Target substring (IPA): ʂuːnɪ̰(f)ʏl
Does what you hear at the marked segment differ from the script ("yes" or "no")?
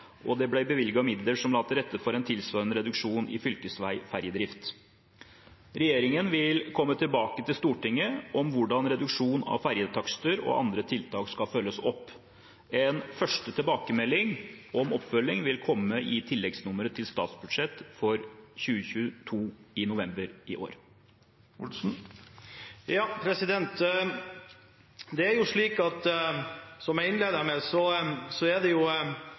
no